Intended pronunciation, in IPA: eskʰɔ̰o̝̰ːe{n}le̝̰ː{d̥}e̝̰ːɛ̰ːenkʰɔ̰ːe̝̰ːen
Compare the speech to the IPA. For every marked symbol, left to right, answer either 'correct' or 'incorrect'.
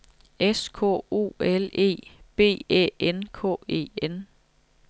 incorrect, incorrect

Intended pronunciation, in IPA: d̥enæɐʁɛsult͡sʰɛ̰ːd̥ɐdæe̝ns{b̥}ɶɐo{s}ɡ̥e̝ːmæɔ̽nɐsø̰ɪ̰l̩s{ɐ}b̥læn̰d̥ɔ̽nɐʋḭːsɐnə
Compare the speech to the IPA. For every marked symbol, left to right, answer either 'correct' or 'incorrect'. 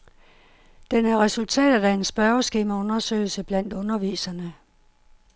correct, correct, incorrect

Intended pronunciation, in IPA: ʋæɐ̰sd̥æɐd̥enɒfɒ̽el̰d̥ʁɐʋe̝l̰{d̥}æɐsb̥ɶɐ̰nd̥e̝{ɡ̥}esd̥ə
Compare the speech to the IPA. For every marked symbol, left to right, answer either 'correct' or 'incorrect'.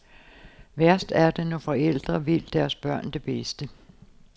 correct, incorrect

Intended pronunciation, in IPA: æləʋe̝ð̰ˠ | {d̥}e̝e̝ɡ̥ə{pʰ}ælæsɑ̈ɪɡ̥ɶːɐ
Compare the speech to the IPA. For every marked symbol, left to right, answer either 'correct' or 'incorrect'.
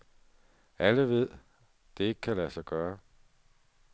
correct, incorrect

